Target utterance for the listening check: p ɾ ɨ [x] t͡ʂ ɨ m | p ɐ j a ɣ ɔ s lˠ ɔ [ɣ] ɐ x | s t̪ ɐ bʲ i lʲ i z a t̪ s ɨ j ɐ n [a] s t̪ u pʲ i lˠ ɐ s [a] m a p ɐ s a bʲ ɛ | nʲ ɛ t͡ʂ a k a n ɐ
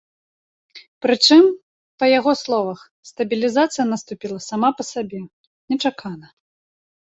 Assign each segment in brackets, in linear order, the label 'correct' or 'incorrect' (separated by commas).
incorrect, incorrect, incorrect, correct